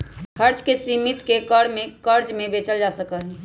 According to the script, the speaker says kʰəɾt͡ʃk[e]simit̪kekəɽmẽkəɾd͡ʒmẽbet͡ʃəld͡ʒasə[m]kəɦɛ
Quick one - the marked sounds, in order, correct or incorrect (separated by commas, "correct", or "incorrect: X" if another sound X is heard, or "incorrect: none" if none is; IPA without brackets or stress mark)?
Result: correct, incorrect: none